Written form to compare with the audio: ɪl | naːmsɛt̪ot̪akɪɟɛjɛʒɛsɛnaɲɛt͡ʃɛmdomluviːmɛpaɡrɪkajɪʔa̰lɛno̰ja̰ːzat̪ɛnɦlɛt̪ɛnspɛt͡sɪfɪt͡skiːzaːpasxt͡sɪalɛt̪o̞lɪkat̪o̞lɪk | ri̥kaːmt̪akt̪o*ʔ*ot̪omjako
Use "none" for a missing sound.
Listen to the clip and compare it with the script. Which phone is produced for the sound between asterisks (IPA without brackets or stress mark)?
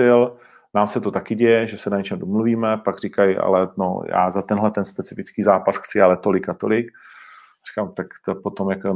p